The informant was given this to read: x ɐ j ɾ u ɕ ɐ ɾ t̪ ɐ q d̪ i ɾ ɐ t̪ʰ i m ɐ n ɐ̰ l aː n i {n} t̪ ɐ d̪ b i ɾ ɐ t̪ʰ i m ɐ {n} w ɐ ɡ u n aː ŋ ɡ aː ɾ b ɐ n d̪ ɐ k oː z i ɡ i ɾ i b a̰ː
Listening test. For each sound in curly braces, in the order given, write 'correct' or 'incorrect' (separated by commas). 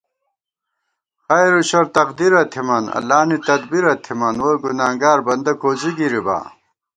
incorrect, correct